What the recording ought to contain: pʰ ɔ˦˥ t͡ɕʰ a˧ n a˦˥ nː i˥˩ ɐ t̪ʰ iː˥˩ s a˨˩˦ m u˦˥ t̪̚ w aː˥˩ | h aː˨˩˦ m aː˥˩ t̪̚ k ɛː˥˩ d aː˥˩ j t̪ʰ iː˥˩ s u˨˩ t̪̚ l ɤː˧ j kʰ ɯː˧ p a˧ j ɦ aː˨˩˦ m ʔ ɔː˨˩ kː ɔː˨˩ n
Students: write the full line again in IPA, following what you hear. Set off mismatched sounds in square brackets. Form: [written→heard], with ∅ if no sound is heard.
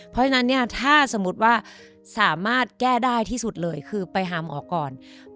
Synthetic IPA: pʰ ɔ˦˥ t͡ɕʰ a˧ n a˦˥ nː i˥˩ ɐ t̪ʰ [iː˥˩→aː˥˩] s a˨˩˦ m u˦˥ t̪̚ w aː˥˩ | [h→s] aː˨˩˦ m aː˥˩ t̪̚ k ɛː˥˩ d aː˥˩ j t̪ʰ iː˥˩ s u˨˩ t̪̚ l ɤː˧ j kʰ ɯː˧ p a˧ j ɦ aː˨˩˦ m ʔ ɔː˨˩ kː ɔː˨˩ n

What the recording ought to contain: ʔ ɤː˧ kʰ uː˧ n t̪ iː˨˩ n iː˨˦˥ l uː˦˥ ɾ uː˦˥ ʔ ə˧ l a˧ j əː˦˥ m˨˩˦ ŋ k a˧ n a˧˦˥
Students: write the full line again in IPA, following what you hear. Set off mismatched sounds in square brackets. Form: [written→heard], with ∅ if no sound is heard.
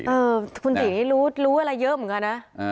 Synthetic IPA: ʔ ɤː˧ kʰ [uː˧→u˧] n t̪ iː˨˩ n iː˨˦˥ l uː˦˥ [ɾ→l] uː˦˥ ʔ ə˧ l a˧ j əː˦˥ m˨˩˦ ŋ k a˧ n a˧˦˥

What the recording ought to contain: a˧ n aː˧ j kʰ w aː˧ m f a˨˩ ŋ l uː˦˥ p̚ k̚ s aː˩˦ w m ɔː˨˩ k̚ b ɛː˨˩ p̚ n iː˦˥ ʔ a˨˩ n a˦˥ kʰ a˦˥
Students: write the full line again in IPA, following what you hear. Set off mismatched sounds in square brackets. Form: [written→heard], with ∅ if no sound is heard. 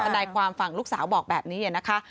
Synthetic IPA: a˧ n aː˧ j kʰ w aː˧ m f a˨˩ ŋ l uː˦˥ [p̚→∅] k̚ s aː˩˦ w [m→b] ɔː˨˩ k̚ b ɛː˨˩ p̚ n iː˦˥ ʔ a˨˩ n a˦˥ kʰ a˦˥

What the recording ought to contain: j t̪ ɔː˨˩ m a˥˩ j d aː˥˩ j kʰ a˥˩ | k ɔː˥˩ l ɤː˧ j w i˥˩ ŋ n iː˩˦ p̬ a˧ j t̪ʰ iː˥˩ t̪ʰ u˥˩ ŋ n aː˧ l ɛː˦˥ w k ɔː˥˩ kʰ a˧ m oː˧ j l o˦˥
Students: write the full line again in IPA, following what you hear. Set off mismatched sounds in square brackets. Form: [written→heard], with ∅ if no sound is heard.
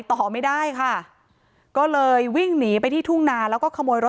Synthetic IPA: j t̪ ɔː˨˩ m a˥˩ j d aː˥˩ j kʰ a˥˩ | k ɔː˥˩ l ɤː˧ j w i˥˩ ŋ n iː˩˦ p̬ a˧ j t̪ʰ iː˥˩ t̪ʰ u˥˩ ŋ n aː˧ l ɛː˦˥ w k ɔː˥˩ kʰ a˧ m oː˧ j [l→ɾ] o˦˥

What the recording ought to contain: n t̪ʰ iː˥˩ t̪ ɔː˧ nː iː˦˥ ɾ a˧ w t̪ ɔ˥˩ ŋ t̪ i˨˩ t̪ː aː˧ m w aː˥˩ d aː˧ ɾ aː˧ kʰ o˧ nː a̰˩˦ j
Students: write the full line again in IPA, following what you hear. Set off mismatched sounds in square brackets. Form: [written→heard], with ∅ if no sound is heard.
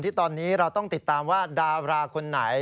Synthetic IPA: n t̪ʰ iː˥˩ t̪ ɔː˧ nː iː˦˥ ɾ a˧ w t̪ ɔ˥˩ ŋ t̪ i˨˩ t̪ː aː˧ m w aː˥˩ d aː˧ ɾ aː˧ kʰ o˧ nː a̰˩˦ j

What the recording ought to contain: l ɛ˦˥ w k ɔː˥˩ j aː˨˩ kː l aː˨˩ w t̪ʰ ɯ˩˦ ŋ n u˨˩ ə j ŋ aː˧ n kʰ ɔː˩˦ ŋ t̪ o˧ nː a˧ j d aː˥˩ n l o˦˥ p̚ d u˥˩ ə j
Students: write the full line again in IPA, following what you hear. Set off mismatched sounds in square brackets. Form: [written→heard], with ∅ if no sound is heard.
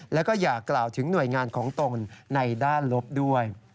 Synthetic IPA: l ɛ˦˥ w k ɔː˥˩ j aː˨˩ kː l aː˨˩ w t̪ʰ ɯ˩˦ ŋ n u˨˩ ə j ŋ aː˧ n kʰ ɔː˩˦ ŋ t̪ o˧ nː a˧ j d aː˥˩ n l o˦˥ p̚ d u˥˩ ə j

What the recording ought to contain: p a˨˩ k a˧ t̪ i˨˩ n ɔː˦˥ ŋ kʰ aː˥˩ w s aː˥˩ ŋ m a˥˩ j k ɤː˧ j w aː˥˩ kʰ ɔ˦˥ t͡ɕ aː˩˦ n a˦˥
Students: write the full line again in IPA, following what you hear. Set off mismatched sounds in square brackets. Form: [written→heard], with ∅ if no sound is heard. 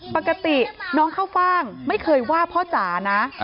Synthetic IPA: p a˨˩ k a˧ t̪ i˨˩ n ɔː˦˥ ŋ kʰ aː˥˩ w [s→f] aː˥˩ ŋ m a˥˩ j [k→kʰ] ɤː˧ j w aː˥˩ [kʰ→pʰ] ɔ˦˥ t͡ɕ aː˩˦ n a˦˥

